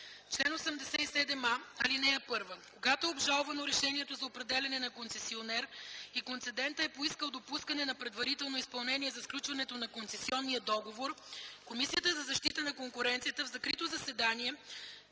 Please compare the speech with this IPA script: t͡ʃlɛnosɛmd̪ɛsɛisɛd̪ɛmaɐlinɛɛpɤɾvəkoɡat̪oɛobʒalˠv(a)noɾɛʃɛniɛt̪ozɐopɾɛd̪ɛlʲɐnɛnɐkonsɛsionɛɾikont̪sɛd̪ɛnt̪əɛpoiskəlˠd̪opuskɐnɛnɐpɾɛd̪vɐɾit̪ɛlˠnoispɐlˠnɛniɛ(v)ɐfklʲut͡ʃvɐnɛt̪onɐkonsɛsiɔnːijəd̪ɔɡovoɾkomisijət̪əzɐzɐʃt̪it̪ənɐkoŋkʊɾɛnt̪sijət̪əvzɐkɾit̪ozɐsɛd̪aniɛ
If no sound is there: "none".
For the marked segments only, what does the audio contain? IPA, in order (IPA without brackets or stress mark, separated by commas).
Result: ɐ, z